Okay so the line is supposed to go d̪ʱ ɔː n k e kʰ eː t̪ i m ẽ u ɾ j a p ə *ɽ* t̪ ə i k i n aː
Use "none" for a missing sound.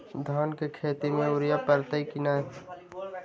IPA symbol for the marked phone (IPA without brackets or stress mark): ɾ